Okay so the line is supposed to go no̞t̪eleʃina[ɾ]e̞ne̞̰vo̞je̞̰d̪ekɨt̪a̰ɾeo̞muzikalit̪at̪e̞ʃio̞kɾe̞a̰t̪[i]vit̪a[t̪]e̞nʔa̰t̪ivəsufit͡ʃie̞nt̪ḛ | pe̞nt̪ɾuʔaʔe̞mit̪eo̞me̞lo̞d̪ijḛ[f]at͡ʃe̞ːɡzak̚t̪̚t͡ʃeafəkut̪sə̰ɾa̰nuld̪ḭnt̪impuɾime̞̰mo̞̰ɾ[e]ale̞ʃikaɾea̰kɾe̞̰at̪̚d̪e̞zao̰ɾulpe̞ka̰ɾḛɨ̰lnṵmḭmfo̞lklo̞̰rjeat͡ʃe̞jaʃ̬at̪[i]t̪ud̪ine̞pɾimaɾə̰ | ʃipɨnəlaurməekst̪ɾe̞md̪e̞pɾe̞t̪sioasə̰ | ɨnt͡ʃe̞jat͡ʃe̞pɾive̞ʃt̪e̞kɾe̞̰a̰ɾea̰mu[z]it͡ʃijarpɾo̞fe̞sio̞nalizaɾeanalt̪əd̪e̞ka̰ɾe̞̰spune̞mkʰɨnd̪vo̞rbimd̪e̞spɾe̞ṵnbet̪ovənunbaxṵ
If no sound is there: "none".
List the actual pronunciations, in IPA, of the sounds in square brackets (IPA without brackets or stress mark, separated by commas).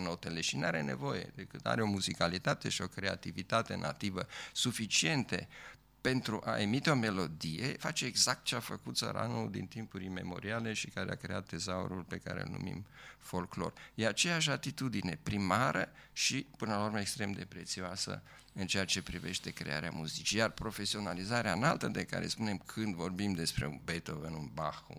ɾ, i, t̪, f, i, i, z